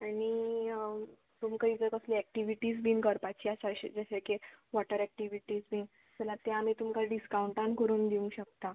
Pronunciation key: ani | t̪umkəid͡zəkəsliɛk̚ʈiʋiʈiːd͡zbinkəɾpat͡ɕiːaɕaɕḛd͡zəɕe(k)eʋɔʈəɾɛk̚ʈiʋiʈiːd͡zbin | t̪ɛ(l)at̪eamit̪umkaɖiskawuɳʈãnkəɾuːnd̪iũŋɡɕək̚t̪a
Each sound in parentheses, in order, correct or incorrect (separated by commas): correct, correct